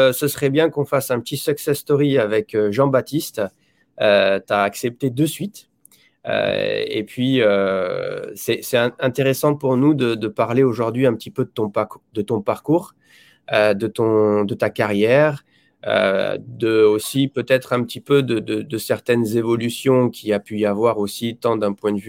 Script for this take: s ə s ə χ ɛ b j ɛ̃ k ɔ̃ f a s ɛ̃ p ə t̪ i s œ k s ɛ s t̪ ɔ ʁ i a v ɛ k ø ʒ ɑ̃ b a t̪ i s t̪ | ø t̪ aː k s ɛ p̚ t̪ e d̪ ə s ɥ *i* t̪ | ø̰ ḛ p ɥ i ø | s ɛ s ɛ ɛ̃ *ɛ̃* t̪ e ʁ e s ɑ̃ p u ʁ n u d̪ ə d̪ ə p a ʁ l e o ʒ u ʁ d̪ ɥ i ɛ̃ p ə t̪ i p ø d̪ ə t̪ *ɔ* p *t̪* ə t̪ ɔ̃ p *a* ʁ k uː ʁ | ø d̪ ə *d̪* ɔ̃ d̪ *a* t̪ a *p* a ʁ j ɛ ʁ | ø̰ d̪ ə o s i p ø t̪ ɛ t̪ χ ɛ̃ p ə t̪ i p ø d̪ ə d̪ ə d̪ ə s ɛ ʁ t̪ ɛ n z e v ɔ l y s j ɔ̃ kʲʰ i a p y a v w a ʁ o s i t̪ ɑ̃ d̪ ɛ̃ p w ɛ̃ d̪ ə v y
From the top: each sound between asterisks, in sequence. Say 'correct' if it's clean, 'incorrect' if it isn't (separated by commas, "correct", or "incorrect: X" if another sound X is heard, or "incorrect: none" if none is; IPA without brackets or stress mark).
correct, correct, incorrect: ɔ̃, incorrect: d̪, correct, incorrect: t̪, incorrect: ə, incorrect: k